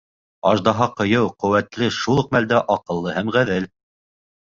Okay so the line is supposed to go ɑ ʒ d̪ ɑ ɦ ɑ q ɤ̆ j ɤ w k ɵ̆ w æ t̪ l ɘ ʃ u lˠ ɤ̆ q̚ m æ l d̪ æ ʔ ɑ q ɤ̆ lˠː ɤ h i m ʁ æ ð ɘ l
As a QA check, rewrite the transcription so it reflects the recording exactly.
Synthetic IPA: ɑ ʒ d̪ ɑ ɦ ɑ q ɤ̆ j ɤ w q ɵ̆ w æ t̪ l ɘ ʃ u lˠ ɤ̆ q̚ m æ l d̪ æ ʔ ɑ q ɤ̆ lˠː ɤ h æ m ʁ æ ð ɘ l